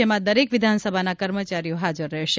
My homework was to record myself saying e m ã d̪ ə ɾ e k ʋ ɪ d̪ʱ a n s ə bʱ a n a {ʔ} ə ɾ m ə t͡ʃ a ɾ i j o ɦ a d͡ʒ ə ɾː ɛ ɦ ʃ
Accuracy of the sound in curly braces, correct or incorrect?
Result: incorrect: k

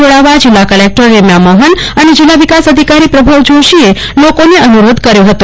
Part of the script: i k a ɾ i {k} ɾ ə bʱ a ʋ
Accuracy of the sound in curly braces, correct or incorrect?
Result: incorrect: p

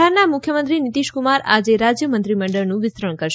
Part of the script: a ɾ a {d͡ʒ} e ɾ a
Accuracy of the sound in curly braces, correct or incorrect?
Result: correct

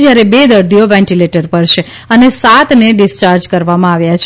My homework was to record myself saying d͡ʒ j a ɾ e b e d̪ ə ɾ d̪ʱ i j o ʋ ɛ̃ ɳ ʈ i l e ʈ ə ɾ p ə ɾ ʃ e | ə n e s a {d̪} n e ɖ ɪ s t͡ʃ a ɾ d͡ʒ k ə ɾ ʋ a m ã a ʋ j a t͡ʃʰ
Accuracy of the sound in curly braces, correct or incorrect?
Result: incorrect: t̪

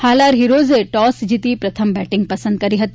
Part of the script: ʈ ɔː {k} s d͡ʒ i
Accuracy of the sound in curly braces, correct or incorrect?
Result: incorrect: none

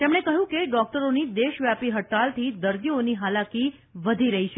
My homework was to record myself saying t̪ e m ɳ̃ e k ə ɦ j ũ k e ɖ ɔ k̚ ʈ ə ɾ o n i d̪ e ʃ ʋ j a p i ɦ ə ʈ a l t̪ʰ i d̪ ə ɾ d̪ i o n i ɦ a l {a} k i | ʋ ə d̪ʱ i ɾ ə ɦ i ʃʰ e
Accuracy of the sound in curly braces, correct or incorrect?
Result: correct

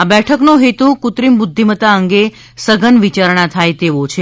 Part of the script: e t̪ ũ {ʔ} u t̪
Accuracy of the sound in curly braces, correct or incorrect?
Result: incorrect: k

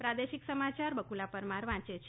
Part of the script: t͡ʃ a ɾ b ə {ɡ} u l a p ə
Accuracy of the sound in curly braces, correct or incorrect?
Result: incorrect: k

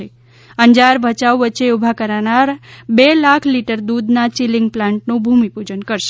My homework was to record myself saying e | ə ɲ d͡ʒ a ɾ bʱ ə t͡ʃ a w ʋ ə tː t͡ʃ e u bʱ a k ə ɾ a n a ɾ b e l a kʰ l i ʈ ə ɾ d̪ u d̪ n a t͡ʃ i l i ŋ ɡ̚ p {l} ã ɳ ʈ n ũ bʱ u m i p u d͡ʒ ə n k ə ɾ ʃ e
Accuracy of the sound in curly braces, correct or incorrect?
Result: correct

